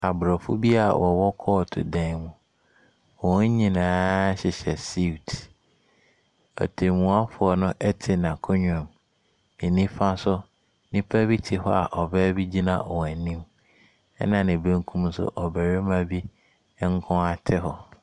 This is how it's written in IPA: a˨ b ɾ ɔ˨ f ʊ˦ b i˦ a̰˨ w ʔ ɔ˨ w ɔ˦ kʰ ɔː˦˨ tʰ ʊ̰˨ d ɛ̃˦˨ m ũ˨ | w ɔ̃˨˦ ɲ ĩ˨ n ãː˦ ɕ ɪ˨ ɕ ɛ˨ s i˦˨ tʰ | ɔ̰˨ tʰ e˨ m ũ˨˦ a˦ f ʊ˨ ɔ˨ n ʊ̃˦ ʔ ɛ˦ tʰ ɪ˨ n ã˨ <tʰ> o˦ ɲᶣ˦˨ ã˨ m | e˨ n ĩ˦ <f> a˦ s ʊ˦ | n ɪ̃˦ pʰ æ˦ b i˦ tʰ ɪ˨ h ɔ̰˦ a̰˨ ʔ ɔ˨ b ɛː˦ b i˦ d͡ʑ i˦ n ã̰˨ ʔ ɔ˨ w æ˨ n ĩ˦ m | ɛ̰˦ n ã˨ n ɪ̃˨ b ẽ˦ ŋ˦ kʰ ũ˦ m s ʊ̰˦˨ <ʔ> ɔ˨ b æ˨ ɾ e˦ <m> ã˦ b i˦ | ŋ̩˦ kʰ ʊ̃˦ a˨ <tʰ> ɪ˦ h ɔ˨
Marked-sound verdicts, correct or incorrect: incorrect: kʰ, correct, correct, correct, correct

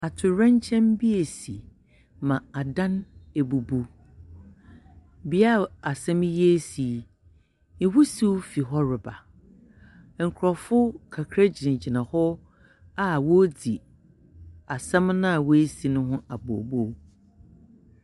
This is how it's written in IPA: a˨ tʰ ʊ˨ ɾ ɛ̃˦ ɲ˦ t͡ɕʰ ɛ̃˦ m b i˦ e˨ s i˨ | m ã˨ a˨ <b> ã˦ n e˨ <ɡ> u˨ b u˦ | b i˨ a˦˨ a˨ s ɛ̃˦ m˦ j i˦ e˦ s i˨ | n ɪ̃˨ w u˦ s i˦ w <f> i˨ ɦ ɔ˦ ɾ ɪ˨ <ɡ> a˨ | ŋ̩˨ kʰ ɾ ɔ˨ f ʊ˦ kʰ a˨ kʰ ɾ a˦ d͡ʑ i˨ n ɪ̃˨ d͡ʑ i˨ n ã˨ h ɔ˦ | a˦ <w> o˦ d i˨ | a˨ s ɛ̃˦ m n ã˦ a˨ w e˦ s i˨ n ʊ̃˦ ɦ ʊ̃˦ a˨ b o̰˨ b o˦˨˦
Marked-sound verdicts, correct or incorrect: incorrect: d, incorrect: b, correct, incorrect: b, correct

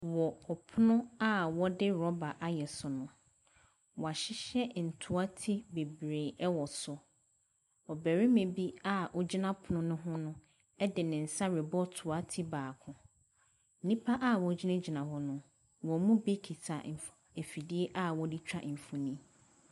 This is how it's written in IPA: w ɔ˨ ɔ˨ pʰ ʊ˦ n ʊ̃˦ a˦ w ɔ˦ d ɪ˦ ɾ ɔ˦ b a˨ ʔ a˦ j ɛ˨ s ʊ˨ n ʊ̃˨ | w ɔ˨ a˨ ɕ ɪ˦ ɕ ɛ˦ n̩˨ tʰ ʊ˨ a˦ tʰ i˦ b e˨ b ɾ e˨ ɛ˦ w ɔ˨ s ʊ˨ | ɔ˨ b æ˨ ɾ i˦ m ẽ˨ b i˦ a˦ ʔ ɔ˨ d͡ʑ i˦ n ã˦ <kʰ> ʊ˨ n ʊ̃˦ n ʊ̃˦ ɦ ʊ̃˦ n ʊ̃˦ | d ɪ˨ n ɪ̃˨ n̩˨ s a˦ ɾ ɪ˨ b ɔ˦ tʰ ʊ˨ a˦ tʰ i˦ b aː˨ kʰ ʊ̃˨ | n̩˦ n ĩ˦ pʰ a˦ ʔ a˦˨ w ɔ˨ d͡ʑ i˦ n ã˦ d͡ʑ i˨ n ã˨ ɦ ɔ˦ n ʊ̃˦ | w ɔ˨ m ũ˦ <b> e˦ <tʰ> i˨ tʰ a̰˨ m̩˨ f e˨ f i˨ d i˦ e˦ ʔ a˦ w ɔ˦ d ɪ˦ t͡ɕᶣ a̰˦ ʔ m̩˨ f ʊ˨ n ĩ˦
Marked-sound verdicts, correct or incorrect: incorrect: pʰ, correct, incorrect: kʰ

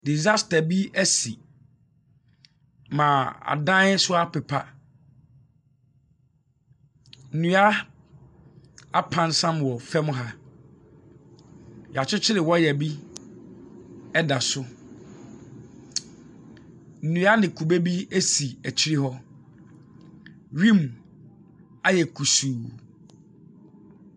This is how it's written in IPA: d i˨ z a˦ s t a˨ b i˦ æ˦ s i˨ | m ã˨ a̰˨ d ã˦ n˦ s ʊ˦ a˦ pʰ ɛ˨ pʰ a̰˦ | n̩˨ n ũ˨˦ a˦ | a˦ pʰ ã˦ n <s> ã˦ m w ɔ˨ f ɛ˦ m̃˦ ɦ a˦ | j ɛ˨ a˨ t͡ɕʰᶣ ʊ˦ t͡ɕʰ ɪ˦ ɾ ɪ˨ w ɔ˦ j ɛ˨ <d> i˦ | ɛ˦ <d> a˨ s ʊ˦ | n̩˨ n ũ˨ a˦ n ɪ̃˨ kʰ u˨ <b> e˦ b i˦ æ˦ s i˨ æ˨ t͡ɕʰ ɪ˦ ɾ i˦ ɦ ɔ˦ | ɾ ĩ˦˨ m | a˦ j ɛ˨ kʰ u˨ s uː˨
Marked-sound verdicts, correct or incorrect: correct, incorrect: b, correct, correct

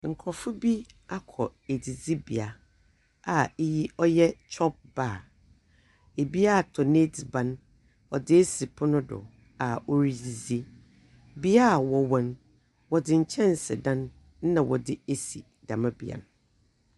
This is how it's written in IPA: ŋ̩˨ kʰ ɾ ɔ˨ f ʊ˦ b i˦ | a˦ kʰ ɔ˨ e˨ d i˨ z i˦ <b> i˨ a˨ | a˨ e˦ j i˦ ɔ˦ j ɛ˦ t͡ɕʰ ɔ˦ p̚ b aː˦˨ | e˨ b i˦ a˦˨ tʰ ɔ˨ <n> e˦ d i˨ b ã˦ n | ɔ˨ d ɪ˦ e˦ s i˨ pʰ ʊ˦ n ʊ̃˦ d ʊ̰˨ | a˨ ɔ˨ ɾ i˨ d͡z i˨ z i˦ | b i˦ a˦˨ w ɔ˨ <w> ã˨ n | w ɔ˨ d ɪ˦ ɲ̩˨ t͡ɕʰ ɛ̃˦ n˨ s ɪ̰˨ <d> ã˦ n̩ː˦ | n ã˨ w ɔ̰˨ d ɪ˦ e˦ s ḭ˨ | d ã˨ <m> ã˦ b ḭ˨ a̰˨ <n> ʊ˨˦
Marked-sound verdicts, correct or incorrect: correct, correct, correct, correct, correct, correct

